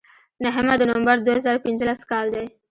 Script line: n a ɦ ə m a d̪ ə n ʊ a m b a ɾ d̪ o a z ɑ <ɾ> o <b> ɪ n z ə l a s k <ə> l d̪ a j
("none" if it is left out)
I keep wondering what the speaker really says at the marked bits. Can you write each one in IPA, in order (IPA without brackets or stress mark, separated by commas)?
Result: ɾ, p, ɑ